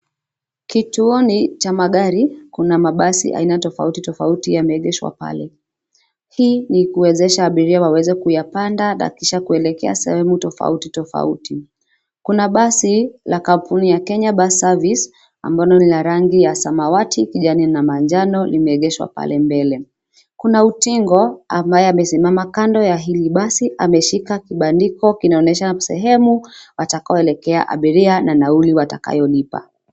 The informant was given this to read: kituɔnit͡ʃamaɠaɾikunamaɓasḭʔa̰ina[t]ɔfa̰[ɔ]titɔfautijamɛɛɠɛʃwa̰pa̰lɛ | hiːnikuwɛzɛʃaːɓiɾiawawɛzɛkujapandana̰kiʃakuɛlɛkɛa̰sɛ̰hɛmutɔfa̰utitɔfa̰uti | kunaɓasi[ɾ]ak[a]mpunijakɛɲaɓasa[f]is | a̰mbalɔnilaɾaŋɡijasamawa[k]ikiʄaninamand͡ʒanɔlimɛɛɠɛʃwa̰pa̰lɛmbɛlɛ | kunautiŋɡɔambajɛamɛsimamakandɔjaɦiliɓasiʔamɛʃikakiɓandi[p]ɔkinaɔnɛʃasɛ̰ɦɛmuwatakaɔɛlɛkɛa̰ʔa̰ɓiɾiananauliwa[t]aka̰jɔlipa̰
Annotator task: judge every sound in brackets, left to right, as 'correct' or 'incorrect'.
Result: correct, incorrect: u, incorrect: l, correct, incorrect: v, incorrect: t, incorrect: k, correct

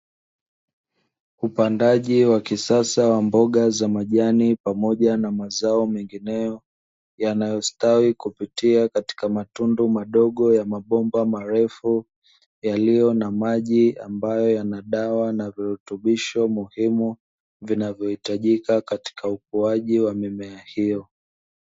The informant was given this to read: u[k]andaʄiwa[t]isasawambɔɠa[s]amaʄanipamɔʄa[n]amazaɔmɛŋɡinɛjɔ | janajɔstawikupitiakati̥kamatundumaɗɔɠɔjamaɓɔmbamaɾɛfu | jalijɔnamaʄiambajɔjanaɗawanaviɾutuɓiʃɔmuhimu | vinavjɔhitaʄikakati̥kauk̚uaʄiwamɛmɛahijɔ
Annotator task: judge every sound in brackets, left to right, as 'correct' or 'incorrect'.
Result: incorrect: p, incorrect: k, incorrect: z, correct

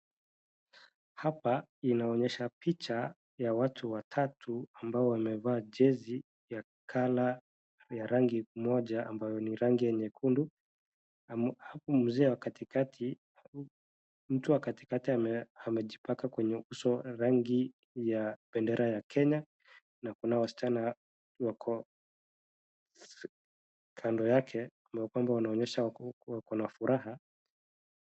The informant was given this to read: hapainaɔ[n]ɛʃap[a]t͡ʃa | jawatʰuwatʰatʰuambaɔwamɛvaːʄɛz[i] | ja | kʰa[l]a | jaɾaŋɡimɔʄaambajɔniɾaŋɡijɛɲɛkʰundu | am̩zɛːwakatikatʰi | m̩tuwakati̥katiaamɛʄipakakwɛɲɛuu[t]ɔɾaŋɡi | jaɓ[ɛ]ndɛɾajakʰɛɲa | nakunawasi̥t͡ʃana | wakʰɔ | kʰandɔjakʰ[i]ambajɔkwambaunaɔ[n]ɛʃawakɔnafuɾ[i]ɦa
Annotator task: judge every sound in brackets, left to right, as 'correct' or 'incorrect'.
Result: incorrect: ɲ, incorrect: i, correct, correct, incorrect: s, correct, incorrect: ɛ, incorrect: ɲ, incorrect: a

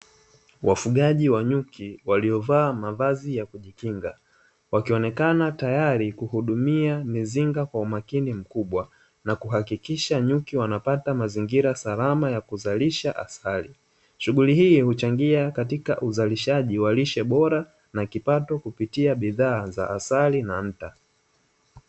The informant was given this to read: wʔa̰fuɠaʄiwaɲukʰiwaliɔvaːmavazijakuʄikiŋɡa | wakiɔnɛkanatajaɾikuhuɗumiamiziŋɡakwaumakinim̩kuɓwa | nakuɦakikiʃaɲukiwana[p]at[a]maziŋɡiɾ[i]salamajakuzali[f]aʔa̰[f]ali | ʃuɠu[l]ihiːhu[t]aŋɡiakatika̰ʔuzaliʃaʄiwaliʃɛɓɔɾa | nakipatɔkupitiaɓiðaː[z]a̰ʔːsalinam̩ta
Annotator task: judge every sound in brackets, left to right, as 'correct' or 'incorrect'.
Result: correct, correct, incorrect: a, incorrect: ʃ, incorrect: s, correct, incorrect: t͡ʃ, correct

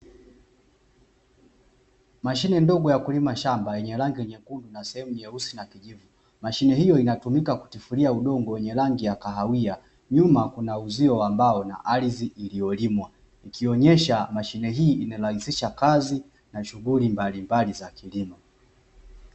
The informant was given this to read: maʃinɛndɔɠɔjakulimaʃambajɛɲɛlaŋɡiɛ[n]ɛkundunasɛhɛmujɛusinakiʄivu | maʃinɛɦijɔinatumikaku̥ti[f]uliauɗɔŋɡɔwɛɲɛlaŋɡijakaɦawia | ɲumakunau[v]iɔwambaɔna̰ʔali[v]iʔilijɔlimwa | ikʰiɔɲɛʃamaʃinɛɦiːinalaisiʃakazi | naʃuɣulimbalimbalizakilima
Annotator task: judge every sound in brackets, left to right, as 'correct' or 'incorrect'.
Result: incorrect: ɲ, correct, incorrect: z, incorrect: z

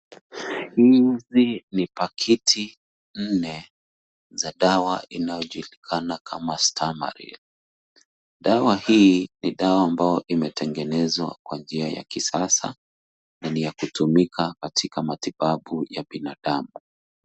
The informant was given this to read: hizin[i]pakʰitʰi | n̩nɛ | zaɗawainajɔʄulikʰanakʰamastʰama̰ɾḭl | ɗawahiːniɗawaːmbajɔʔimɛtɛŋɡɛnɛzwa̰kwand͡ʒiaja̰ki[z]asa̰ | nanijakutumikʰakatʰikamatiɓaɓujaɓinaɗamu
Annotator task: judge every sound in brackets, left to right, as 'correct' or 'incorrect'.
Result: correct, incorrect: s

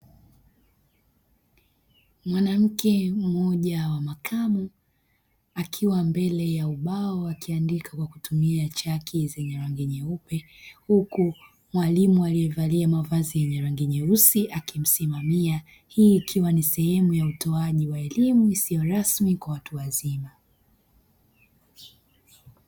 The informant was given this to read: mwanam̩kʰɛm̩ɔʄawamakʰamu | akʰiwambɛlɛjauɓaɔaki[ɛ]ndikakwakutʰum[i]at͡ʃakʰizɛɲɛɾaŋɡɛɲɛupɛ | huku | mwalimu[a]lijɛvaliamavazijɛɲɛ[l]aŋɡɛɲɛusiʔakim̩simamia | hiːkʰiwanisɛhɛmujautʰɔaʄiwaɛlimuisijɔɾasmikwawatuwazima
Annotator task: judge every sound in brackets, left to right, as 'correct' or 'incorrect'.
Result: incorrect: a, correct, correct, incorrect: ɾ

